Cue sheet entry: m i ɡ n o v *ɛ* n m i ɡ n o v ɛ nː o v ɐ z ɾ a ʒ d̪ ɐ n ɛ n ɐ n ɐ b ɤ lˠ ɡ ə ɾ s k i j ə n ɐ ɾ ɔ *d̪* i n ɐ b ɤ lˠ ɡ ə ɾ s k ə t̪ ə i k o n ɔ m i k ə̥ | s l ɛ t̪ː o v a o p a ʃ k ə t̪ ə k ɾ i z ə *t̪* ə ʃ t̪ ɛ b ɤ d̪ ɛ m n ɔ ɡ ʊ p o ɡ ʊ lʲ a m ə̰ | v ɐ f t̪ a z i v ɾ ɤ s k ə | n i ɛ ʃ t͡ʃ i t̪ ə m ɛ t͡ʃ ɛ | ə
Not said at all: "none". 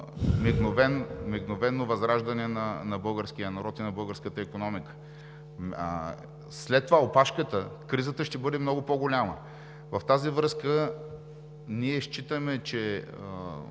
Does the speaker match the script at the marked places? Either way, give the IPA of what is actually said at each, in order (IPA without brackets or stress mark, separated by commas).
ɛ, t̪, t̪